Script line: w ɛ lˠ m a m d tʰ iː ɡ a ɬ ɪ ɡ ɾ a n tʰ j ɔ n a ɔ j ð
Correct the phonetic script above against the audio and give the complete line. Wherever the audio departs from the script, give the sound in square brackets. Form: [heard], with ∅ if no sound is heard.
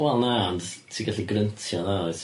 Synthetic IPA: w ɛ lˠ [n] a [n] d tʰ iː ɡ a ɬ [i] ɡ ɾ [ə] n tʰ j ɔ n a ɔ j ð